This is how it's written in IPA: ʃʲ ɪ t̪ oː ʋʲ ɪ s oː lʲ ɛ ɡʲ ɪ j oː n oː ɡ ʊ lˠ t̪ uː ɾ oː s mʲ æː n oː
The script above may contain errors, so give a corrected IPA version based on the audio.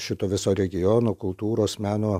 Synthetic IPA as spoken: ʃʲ ɪ t̪ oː ʋʲ ɪ s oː ɾʲ ɛ ɡʲ ɪ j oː n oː k ʊ lˠ t̪ uː ɾ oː s mʲ æː n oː

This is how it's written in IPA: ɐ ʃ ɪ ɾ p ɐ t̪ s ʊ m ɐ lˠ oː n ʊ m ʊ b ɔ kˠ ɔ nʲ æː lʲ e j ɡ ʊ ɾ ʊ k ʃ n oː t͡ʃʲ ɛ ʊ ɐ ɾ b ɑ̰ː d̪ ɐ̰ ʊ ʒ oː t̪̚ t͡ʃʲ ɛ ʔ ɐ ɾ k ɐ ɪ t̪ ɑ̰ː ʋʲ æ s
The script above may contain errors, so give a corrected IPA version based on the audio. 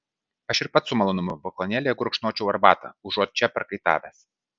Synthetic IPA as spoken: ɐ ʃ ɪ ɾ p ɐ t̪ s ʊ m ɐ lˠ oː n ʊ m ʊ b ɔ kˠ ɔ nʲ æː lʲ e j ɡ ʊ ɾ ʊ k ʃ n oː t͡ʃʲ ɛ ʊ ɐ ɾ b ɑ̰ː t̪ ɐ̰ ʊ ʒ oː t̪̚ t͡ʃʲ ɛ p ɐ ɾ k ɐ ɪ t̪ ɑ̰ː ʋʲ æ s

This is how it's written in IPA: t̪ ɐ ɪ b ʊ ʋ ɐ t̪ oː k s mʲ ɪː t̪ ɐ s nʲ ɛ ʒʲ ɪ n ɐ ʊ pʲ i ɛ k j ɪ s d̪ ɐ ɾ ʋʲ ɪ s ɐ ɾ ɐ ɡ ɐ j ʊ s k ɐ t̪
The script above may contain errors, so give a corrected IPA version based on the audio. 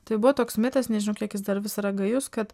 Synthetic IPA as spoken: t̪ ɐ ɪ b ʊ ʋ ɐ t̪ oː k s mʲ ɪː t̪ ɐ s nʲ ɛ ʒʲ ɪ n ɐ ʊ kʲ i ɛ k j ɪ s d̪ ɐ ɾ ʋʲ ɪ s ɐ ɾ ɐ ɡ ɐ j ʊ s k ɐ t̪

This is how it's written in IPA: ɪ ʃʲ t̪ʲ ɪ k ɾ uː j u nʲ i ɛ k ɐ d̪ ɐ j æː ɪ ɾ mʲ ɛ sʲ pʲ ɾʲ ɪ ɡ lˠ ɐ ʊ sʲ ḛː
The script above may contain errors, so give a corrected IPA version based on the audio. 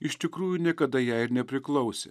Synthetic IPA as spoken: ɪ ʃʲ t̪ʲ ɪ k ɾ uː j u nʲ i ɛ k ɐ d̪ ɐ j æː ɪ ɾ nʲ ɛ pʲ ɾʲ ɪ k lˠ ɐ ʊ sʲ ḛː

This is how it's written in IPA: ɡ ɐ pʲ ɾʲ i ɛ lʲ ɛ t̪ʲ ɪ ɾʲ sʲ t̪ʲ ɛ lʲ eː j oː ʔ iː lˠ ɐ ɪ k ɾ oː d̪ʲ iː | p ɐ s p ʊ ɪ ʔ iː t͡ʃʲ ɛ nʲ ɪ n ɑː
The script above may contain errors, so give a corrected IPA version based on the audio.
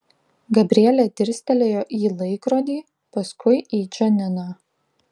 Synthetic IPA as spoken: ɡ ɐ bʲ ɾʲ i ɛ lʲ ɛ t̪ʲ ɪ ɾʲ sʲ t̪ʲ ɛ lʲ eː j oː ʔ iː lˠ ɐ ɪ k ɾ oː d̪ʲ iː | p ɐ s k ʊ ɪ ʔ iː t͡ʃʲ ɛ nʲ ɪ n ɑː

